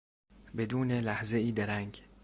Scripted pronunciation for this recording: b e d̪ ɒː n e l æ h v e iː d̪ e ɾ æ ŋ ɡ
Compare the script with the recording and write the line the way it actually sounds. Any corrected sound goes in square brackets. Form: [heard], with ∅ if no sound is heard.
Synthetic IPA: b e d̪ [uː] n e l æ h [z] e iː d̪ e ɾ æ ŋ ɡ